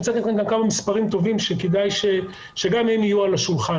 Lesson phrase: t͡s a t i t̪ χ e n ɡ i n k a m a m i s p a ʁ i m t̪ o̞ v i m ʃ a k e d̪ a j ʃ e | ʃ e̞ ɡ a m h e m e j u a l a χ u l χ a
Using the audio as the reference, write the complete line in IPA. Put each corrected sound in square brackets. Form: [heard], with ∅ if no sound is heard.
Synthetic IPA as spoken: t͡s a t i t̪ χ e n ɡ [a] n k a m a m i s p a ʁ i m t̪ o̞ v i m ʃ [e] k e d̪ a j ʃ e | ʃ e̞ ɡ a m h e m [i] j u a l a [ʃ] u l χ a